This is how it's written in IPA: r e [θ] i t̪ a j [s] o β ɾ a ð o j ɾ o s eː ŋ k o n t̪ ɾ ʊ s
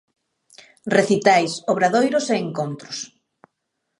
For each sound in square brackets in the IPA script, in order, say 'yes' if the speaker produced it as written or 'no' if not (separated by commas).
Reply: yes, yes